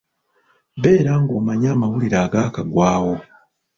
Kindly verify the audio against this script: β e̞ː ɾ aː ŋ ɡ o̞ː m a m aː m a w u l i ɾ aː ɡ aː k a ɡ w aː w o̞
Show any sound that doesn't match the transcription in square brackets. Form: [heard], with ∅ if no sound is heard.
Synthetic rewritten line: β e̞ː ɾ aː ŋ ɡ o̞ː m a [ɲ] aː m a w u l i ɾ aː ɡ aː k a ɡ w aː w o̞